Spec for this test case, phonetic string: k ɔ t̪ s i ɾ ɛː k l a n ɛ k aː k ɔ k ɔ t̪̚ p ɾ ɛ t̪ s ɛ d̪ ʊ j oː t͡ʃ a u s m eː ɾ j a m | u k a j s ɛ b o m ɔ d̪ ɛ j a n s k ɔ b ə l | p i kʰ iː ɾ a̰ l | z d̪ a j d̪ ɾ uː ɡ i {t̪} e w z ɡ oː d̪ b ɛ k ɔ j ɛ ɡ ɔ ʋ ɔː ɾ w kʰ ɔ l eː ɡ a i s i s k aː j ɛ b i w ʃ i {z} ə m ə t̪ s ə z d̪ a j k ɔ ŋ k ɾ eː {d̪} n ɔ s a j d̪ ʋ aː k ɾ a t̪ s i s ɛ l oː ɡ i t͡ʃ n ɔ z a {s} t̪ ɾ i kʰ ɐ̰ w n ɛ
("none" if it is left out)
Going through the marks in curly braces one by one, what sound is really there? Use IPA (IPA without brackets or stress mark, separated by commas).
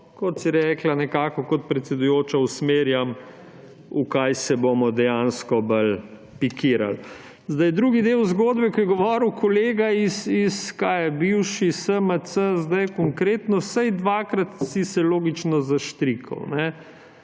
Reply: d̪, s, t̪, ʃ